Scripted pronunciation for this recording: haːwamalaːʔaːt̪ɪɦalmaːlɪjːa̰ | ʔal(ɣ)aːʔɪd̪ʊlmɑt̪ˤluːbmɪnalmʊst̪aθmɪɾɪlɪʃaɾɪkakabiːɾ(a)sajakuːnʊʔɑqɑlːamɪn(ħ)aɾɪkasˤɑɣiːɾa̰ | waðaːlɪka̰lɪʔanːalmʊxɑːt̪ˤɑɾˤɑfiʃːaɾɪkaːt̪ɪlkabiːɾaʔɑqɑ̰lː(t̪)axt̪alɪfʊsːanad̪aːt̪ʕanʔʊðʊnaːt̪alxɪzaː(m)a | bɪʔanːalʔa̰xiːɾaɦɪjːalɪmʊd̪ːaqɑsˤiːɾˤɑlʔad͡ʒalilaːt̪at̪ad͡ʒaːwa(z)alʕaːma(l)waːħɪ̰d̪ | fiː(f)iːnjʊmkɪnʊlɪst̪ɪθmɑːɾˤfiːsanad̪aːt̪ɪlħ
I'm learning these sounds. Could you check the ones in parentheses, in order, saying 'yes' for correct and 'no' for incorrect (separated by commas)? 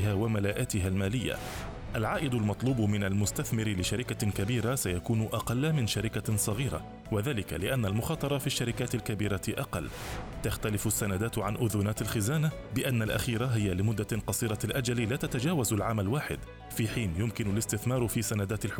no, yes, no, yes, no, yes, yes, no